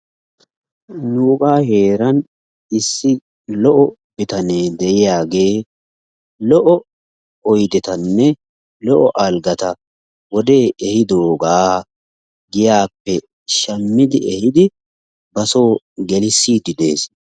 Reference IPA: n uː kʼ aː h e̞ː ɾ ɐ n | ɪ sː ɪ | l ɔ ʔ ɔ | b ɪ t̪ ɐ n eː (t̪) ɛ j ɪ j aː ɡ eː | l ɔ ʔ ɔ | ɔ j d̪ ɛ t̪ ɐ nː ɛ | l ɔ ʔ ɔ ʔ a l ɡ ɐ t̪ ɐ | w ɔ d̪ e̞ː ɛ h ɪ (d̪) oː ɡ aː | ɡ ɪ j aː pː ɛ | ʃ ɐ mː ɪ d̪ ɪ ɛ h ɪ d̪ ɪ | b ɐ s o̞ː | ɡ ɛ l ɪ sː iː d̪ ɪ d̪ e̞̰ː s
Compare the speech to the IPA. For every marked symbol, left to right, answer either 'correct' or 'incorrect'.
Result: incorrect, correct

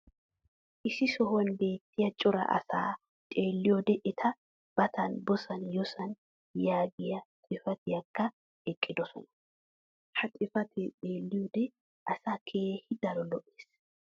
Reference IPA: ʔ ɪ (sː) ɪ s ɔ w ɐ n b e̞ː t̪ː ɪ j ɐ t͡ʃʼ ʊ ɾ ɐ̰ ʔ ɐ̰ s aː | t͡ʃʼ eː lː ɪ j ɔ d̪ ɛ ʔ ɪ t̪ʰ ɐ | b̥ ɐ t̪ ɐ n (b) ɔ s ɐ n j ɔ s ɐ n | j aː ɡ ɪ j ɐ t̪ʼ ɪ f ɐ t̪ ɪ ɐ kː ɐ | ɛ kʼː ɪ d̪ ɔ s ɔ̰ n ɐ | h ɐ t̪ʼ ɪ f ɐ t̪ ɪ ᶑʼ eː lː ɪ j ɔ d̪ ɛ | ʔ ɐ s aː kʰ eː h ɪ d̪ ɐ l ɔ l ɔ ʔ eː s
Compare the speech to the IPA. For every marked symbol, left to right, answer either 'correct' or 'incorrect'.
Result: incorrect, correct

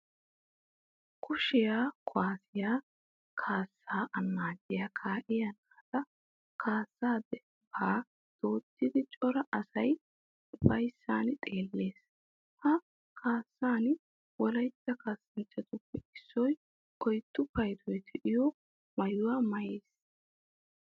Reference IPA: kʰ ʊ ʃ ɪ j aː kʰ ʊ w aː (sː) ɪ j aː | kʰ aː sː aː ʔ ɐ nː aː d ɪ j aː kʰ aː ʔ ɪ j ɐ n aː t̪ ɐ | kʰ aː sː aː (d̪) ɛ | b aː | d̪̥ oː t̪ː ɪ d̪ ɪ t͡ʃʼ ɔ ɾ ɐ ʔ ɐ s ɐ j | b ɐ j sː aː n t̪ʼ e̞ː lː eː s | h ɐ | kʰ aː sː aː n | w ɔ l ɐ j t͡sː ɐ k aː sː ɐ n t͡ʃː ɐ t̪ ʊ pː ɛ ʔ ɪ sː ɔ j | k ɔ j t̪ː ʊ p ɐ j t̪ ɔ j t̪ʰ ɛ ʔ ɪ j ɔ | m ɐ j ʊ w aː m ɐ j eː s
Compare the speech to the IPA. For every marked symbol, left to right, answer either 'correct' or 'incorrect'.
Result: incorrect, correct

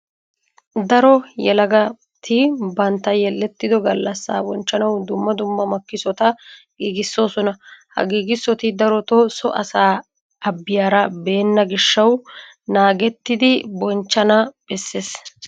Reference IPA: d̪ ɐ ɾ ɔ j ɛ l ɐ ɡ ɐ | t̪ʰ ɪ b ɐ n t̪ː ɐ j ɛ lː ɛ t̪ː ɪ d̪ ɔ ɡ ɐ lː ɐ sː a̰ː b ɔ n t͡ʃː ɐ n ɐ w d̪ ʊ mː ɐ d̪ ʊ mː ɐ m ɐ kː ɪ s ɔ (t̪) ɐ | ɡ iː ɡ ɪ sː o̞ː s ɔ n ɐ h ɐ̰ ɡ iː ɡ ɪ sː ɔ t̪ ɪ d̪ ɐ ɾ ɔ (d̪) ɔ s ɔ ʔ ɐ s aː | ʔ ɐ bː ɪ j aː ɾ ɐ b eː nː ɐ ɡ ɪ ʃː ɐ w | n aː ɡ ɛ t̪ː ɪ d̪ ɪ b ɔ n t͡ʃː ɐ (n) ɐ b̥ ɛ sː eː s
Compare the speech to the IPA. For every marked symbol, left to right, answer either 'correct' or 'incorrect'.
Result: correct, incorrect, correct

